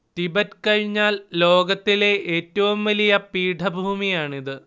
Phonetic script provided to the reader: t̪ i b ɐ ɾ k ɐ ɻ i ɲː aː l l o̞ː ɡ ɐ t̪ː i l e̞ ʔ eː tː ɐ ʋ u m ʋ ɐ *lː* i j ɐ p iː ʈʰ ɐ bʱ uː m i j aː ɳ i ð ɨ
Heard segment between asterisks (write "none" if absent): l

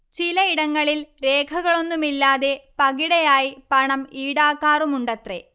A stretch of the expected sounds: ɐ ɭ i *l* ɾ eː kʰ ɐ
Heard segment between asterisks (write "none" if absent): l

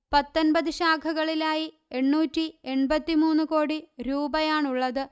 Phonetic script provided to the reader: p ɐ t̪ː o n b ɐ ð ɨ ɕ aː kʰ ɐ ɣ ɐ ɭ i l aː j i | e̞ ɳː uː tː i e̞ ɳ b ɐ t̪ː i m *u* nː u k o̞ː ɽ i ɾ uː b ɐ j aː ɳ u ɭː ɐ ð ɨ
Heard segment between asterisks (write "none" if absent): uː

